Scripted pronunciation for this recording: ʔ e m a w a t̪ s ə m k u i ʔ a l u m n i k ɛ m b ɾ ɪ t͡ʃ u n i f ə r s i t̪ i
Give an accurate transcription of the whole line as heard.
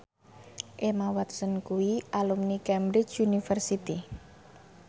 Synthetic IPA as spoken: ʔ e m a w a t̪ s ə n k u i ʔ a l u m n i k ɛ m b ɾ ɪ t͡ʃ u n i f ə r s i t̪ i